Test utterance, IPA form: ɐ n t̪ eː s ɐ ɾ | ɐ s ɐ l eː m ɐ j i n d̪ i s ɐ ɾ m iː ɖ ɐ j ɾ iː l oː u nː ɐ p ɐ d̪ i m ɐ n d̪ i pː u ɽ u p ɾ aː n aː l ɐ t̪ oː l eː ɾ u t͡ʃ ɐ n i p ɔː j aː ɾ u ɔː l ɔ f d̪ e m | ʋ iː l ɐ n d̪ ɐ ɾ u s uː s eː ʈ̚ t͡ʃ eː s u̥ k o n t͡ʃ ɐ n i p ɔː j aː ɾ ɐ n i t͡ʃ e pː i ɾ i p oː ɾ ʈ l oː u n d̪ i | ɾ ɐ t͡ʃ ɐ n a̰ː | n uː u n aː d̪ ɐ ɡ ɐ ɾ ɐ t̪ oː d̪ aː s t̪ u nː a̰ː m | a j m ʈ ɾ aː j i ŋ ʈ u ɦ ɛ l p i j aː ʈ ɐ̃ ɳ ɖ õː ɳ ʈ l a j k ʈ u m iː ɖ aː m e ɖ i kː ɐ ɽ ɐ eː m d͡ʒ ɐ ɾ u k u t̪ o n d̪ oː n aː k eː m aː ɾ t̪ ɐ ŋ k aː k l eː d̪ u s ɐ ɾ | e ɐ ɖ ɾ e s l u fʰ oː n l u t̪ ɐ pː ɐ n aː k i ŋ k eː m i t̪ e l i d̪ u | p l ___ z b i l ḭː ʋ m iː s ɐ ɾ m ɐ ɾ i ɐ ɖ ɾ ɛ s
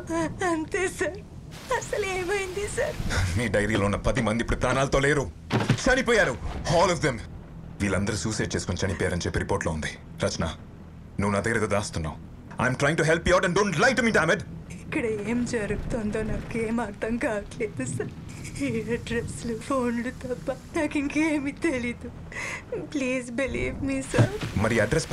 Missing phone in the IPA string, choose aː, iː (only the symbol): iː